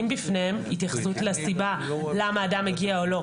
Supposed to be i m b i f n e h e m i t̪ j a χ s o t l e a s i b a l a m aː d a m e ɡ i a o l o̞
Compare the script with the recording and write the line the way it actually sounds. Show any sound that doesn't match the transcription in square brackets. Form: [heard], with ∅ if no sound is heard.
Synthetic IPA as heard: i m b i f n e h e m i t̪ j a χ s [u] t l e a s i b a l a m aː d a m e ɡ i a o l o̞